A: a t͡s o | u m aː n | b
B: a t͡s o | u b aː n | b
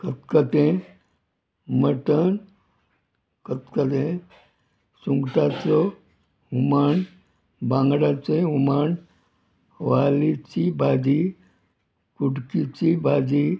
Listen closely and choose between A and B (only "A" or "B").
A